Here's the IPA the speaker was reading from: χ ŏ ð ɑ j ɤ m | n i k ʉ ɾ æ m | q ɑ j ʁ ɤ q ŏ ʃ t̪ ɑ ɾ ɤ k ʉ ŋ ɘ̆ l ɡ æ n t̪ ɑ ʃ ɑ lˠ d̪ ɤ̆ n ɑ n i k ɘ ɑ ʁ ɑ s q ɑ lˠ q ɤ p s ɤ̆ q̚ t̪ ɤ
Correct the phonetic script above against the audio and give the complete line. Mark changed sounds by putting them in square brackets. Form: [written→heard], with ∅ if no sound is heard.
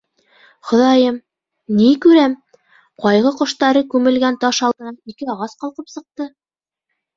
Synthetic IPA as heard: χ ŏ ð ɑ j ɤ m | n i k ʉ ɾ æ m | q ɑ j ʁ ɤ q ŏ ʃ t̪ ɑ ɾ ɤ k ʉ [ŋ→m] ɘ̆ l ɡ æ n t̪ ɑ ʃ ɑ lˠ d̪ ɤ̆ n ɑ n i k ɘ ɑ ʁ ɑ s q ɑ lˠ q ɤ p s ɤ̆ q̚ t̪ ɤ